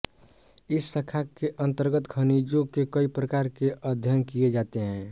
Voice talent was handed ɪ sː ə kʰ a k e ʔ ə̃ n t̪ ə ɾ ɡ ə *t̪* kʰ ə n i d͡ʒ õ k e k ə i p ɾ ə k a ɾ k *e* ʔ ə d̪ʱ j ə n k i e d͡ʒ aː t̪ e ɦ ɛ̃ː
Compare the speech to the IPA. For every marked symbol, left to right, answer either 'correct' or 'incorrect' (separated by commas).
correct, correct